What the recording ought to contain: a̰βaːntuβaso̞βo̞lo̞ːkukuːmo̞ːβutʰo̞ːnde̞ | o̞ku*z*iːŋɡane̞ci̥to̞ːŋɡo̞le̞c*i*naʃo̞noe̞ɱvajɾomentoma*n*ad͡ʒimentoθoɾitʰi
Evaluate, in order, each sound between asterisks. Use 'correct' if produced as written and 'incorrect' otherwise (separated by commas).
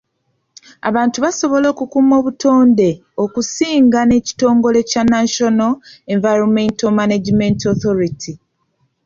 incorrect, incorrect, correct